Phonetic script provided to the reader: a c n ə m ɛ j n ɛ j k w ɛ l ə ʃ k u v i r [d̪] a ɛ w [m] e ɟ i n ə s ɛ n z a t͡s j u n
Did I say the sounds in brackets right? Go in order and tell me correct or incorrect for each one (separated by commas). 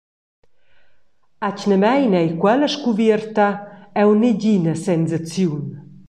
incorrect, incorrect